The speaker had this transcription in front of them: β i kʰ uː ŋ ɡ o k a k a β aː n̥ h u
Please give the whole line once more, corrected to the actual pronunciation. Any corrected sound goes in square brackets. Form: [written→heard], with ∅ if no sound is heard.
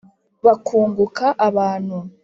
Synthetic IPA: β [i→a] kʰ uː ŋ ɡ [o→u] k a [k→ʔ] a β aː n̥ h u